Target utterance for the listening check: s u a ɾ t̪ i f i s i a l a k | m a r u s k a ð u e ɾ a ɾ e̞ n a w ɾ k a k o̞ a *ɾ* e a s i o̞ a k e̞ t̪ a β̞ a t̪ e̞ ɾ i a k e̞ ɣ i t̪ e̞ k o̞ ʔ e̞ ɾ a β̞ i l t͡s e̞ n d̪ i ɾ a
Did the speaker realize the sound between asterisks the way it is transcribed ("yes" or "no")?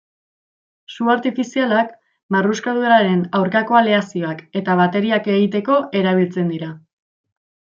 no